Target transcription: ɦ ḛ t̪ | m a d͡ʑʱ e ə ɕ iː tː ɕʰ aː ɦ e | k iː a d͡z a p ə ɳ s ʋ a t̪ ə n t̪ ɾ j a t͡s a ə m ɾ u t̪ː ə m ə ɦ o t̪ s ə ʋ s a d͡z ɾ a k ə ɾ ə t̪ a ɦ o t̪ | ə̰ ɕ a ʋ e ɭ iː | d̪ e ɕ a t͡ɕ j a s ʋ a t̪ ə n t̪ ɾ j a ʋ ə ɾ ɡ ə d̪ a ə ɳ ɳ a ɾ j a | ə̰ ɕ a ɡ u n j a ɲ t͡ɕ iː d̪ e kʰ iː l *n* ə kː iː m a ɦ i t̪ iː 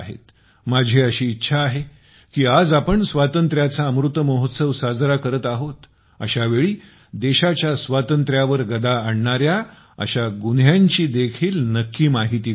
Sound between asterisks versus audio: correct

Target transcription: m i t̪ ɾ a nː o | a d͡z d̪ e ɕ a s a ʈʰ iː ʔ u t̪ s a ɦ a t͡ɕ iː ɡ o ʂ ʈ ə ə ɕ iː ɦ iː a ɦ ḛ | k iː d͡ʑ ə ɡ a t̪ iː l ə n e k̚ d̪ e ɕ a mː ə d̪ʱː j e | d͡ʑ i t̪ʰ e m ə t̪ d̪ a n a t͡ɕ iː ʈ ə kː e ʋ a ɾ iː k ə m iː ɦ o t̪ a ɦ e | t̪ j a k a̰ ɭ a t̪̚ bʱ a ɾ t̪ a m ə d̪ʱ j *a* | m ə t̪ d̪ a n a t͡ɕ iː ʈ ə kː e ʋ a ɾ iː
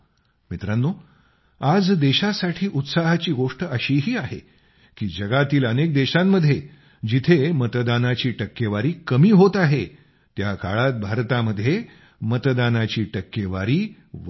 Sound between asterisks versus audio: incorrect: e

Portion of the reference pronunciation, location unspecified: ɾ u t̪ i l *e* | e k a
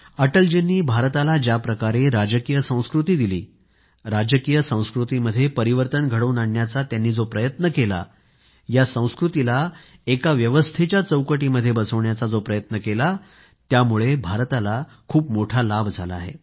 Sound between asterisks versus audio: incorrect: a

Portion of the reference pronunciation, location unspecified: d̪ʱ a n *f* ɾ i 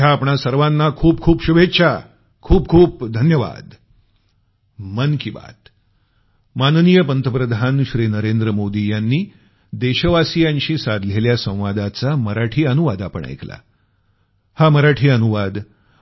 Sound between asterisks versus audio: incorrect: ɕ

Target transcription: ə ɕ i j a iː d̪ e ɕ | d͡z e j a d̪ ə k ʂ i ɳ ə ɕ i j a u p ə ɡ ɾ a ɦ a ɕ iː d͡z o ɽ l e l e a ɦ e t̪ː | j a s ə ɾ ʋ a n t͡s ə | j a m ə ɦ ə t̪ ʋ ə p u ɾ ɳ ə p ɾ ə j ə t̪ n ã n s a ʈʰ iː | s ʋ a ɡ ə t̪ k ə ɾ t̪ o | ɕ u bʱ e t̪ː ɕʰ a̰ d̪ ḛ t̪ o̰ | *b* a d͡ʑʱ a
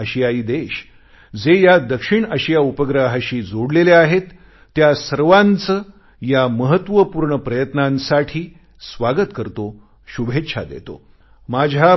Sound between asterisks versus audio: incorrect: m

